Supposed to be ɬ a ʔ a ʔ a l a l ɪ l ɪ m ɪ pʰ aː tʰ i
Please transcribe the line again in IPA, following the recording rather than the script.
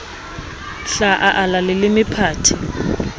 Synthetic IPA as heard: ɬ a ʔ a ʔ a l a l ɪ l ɪ m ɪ pʰ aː tʰ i